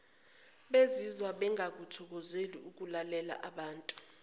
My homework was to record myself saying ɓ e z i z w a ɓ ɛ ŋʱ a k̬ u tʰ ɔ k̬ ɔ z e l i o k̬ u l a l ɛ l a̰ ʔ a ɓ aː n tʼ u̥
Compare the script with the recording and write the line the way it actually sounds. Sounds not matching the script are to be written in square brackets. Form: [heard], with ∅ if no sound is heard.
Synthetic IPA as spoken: ɓ e z i z w a ɓ ɛ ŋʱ a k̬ u tʰ ɔ k̬ ɔ z e l i [u] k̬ u l a l ɛ l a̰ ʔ a ɓ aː n tʼ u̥